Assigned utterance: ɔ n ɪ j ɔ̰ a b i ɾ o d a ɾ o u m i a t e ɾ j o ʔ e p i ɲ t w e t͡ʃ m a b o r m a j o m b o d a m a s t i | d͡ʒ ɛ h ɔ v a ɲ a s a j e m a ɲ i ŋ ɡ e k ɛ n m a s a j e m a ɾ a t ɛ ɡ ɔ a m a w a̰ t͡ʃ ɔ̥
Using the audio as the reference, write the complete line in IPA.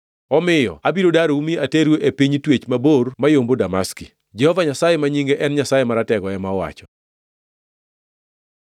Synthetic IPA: ɔ m ɪ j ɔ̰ a b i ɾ o d a ɾ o u m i a t e ɾ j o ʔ e p i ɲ t w e t͡ʃ m a b o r m a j o m b o d a m a s k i | d͡ʒ ɛ h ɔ v a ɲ a s a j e m a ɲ i ŋ ɡ e ʔ ɛ n ɲ a s a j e m a ɾ a t ɛ ɡ ɔ ɛ m a w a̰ t͡ʃ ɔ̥